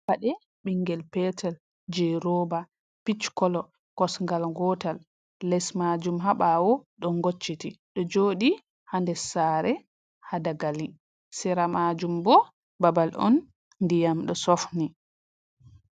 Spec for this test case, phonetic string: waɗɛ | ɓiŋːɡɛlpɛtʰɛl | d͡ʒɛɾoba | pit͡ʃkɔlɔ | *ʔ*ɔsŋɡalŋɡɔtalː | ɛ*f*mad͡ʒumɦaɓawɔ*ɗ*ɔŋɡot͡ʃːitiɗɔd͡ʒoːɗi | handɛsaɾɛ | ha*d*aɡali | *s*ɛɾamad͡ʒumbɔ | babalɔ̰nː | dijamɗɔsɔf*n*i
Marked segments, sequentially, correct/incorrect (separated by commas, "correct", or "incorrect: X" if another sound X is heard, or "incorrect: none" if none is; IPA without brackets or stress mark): incorrect: k, incorrect: s, correct, correct, correct, correct